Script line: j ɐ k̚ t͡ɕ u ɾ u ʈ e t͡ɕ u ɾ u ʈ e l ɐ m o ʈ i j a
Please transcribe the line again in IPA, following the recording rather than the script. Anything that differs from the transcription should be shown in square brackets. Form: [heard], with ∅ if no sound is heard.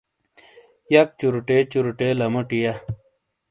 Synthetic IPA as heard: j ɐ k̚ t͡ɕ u ɾ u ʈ e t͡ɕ u ɾ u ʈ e l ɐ m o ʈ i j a